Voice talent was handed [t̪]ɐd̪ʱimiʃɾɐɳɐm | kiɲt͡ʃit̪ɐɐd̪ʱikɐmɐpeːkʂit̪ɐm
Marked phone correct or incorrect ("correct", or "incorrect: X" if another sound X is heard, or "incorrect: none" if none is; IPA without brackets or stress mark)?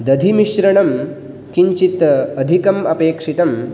incorrect: d̪